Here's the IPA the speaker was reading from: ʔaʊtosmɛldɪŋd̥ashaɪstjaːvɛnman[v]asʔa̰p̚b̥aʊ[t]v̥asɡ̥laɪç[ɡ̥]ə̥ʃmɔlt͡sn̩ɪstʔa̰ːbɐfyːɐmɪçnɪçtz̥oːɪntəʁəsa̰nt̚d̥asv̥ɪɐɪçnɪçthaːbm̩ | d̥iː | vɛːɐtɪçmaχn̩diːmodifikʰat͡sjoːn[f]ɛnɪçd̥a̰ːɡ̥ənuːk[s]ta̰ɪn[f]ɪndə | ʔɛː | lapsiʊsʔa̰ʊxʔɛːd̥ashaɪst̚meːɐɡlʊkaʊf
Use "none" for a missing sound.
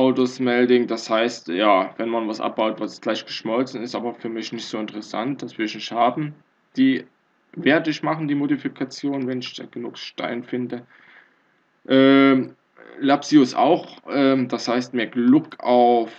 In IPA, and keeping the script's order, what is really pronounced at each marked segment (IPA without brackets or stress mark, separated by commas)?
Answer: v, t, ɡ̥, v, ʃ, f